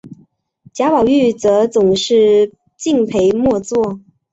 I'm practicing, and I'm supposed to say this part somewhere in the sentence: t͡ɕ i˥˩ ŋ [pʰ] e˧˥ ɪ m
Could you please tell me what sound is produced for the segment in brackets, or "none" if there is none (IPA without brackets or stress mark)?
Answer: pʰ